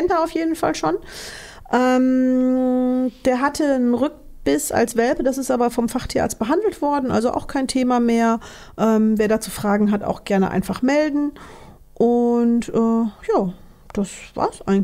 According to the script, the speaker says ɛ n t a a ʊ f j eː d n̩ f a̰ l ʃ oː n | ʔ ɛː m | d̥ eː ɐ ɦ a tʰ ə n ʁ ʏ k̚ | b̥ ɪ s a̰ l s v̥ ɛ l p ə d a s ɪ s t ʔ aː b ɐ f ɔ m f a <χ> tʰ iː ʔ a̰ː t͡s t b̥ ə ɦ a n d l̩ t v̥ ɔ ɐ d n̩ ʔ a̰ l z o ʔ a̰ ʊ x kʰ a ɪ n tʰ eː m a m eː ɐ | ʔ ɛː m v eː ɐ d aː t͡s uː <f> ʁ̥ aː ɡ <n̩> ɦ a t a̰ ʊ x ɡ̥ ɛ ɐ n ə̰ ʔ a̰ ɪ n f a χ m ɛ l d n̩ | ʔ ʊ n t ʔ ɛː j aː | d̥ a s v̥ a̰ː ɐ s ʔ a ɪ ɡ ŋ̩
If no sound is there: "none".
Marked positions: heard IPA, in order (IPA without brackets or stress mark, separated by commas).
χ, f, ŋ̩